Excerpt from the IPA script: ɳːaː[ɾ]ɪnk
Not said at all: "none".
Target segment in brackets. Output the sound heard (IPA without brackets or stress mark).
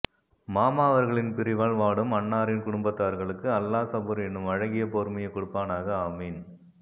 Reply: ɾ